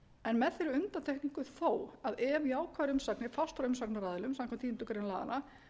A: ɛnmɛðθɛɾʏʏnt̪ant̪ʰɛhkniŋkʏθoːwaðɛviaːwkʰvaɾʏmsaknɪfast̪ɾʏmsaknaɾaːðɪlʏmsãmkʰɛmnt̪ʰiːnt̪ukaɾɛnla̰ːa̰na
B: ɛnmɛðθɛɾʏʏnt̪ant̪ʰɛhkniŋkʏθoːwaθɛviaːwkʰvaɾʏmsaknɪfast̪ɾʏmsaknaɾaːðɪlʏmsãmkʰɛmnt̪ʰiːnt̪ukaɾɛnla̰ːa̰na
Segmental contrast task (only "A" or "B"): A